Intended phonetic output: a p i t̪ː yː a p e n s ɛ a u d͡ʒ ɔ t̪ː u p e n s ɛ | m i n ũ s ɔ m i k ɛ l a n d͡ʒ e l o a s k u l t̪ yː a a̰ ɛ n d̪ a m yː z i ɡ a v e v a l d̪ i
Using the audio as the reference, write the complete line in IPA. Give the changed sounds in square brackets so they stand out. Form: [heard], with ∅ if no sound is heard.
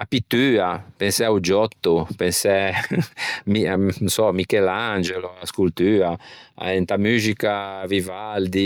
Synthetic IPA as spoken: a p i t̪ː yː a p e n s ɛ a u d͡ʒ ɔ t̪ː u p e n s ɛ | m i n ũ s ɔ m i k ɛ l a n d͡ʒ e l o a s k u l t̪ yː a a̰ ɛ n [t̪] a m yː z i [k] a v [i] v a l d̪ i